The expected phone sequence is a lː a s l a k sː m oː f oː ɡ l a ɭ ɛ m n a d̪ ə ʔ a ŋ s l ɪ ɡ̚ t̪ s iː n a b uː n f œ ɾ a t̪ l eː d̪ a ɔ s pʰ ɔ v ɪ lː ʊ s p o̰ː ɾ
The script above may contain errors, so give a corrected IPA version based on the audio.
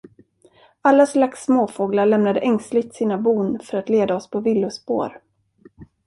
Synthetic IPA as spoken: a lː a s l a k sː m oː f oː ɡ l a ɭ ɛ m n a d̪ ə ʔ ɛ ŋ s l ɪ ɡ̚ t̪ s iː n a b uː n f œ ɾ a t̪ l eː d̪ a ɔ s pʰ ɔ v ɪ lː ʊ s p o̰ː ɾ